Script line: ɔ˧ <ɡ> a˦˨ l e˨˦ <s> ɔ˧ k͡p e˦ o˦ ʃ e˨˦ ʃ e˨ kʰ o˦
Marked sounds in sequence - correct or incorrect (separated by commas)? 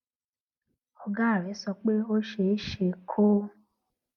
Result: correct, correct